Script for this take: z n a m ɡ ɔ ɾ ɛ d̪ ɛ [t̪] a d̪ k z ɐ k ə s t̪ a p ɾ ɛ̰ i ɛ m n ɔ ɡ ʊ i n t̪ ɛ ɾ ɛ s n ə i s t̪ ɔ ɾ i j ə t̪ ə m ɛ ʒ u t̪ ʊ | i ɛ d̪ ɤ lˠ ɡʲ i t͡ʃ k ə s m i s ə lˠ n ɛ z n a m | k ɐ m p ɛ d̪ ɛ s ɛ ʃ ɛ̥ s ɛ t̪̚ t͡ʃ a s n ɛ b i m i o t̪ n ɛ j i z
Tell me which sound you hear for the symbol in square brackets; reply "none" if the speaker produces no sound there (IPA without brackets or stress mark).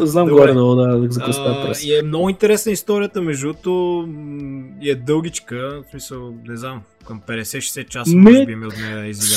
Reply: d̪